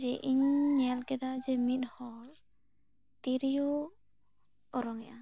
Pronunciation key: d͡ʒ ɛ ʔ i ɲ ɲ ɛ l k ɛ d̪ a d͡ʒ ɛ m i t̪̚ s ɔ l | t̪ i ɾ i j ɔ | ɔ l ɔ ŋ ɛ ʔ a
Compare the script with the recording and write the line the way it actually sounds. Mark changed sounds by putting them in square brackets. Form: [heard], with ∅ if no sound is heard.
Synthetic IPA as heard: d͡ʒ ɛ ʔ i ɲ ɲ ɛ l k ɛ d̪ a d͡ʒ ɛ m i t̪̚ [h] ɔ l | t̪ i ɾ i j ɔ | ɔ [ɾ] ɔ ŋ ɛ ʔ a